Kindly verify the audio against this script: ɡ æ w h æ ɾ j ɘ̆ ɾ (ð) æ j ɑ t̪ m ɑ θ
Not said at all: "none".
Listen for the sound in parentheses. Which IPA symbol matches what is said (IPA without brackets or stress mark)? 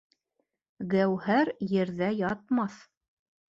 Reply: ð